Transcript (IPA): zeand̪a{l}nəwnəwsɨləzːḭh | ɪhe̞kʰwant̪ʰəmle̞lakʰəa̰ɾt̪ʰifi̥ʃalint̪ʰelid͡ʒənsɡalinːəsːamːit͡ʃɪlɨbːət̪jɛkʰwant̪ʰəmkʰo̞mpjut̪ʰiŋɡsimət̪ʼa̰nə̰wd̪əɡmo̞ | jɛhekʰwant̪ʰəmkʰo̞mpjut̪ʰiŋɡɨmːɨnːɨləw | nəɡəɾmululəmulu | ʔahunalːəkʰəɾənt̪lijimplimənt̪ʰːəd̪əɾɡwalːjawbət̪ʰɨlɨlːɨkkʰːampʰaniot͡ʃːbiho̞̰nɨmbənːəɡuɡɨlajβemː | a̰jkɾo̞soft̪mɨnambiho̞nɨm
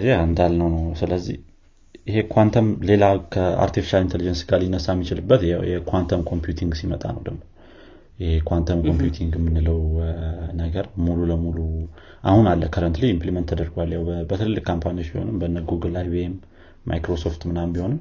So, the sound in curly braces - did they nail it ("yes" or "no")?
yes